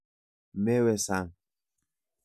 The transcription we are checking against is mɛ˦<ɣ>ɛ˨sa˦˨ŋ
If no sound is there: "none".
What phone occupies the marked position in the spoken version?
w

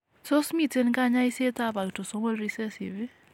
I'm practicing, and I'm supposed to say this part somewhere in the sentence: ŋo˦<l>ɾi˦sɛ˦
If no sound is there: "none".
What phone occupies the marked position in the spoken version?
l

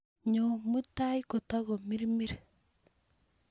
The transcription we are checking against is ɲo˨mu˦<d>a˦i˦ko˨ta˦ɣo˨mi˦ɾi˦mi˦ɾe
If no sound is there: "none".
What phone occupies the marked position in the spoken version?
t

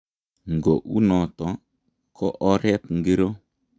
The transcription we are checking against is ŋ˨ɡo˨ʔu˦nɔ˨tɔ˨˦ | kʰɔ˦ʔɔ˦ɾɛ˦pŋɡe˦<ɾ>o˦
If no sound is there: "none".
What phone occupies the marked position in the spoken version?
ɾ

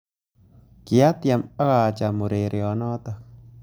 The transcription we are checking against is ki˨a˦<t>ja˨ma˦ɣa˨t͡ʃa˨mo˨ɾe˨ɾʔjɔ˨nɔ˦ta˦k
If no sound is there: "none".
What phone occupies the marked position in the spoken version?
t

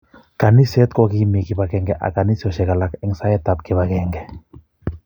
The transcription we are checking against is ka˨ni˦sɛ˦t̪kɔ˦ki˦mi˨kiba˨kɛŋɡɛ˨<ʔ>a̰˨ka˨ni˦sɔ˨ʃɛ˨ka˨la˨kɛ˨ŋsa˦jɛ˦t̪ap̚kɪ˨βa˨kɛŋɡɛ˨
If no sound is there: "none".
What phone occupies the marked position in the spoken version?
ʔ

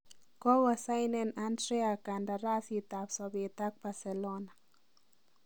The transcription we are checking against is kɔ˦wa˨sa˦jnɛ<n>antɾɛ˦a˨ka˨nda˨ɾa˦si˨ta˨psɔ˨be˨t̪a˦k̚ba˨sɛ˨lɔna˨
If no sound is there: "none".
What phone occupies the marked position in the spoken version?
n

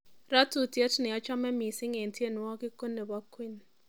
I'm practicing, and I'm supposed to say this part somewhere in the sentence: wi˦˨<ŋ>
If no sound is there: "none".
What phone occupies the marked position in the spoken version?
n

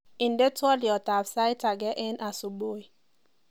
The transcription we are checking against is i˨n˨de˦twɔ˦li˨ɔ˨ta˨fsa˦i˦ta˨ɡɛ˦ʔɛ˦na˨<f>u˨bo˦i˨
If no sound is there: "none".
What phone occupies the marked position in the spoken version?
s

